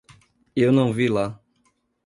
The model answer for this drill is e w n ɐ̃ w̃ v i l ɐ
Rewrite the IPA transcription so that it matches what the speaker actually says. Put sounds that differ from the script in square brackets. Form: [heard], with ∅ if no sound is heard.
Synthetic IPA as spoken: e w n ɐ̃ w̃ v i l [a]